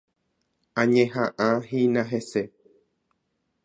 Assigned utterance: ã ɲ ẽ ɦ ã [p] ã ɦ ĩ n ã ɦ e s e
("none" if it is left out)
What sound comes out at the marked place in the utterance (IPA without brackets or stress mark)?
ʔ